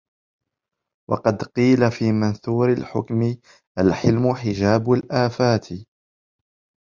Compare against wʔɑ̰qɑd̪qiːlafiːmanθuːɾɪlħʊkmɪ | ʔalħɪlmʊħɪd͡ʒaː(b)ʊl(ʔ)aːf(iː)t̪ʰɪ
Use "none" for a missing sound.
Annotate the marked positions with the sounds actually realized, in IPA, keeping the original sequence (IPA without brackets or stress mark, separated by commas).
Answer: b, ʔ, aː